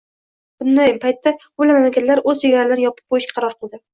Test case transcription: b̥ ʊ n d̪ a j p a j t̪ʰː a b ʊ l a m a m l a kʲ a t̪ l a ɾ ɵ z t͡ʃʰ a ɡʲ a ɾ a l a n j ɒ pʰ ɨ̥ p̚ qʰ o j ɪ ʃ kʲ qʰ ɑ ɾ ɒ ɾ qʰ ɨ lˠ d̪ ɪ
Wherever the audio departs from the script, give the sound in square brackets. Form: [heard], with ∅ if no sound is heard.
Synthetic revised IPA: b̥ ʊ n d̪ a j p a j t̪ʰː a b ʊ l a m a m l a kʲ a t̪ l a ɾ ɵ z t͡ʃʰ [e] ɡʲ a ɾ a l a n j ɒ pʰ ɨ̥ p̚ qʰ o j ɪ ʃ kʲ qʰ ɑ ɾ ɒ ɾ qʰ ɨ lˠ d̪ ɪ